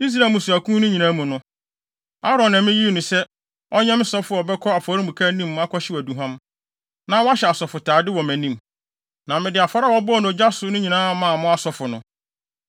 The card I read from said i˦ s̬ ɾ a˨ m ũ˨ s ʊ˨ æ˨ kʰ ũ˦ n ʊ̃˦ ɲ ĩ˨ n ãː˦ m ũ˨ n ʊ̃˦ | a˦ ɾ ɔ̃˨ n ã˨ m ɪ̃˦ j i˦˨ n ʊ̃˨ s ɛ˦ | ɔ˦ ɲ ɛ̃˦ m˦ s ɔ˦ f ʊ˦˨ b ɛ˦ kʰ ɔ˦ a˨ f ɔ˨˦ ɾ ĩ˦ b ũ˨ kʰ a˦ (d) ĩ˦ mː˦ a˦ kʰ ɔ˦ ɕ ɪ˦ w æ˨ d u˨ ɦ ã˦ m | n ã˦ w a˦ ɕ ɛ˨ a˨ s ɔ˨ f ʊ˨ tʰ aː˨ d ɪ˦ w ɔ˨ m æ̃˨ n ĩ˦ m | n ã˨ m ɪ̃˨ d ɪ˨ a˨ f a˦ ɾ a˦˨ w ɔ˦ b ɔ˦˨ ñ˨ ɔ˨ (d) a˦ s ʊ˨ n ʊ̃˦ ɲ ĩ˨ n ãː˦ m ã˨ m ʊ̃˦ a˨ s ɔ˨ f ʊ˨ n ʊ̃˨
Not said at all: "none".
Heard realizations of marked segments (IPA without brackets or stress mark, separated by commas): n, d͡ʑ